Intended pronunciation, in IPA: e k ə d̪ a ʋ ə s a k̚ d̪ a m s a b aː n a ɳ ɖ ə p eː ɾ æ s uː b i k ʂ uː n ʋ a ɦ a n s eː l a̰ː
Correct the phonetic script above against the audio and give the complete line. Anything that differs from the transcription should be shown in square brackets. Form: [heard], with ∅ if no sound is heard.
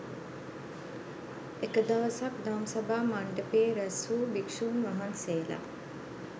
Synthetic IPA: e k ə d̪ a ʋ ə s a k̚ d̪ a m s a b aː [m] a ɳ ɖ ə p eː ɾ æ s uː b i k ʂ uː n ʋ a ɦ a n s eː l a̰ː